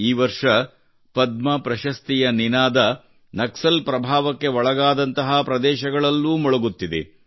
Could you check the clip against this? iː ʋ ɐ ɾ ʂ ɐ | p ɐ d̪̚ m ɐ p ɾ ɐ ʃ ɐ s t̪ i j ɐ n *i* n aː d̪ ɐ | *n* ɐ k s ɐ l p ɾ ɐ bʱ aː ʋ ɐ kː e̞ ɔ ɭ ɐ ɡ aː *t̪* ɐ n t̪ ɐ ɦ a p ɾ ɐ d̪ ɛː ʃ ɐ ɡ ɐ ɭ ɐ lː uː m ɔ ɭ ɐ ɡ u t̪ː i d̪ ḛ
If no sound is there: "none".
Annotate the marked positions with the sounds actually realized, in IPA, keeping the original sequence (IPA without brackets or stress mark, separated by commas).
i, n, d̪